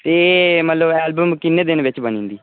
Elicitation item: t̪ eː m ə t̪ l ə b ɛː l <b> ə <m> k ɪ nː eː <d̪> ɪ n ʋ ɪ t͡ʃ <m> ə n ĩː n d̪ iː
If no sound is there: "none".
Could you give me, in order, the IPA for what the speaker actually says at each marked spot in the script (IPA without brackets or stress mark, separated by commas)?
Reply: b, m, d̪, b